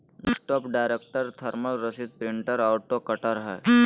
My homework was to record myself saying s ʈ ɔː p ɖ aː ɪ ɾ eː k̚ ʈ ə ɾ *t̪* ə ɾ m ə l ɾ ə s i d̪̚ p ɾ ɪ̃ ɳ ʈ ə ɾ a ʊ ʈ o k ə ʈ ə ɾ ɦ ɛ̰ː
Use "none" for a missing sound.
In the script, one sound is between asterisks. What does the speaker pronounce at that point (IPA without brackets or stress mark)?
t̪ʰ